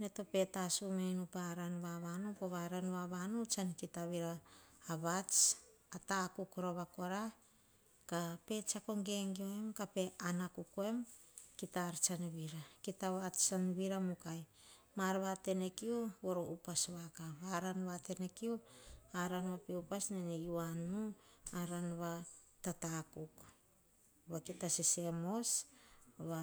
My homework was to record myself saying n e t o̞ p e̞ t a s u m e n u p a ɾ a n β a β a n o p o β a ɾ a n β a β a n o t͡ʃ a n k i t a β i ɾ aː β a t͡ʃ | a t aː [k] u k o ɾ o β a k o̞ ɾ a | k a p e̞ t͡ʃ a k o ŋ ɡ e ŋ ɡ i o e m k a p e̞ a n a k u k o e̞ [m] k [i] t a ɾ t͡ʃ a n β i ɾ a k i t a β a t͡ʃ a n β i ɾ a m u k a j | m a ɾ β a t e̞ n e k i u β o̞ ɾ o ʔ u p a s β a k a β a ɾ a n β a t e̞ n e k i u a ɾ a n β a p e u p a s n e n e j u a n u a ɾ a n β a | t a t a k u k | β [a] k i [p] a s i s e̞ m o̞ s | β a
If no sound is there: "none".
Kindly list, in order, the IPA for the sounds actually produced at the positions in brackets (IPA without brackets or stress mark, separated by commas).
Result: k, m, i, a, t